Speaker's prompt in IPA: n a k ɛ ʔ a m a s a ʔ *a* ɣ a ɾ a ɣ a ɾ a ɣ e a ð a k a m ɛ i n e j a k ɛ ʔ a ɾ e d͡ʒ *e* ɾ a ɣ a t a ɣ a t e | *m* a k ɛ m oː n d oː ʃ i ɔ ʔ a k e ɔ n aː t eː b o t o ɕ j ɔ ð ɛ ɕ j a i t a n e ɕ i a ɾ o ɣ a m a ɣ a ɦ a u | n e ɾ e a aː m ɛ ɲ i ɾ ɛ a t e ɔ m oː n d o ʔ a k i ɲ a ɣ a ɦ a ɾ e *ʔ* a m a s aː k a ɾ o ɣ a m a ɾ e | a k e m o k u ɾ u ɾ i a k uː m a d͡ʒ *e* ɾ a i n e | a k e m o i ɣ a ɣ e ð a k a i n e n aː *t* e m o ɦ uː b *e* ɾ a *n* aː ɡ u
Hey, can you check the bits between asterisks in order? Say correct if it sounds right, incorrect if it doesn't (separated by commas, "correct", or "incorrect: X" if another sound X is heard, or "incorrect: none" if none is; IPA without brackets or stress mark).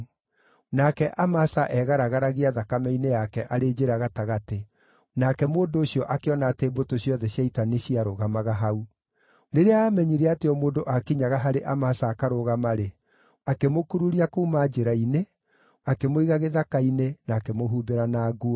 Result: incorrect: ɛ, correct, incorrect: n, correct, correct, incorrect: k, correct, correct